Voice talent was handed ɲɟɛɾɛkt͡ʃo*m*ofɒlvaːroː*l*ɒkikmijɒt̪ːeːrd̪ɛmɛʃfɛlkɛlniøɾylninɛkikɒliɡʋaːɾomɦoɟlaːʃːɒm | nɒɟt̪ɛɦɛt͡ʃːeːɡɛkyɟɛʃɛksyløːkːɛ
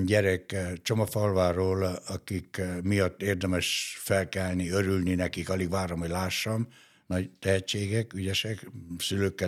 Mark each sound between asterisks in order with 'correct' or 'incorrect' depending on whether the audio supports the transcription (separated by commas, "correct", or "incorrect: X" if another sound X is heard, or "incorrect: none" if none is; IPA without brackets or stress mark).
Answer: correct, correct